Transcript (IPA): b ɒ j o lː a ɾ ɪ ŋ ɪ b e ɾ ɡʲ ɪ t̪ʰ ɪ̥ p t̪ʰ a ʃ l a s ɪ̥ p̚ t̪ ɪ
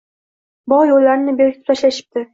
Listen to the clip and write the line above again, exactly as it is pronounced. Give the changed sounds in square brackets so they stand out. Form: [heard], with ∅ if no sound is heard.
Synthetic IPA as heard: b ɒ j o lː a ɾ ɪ [n] ɪ b e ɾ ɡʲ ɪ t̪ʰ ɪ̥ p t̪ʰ a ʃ l a [ʃ] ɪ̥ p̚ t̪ ɪ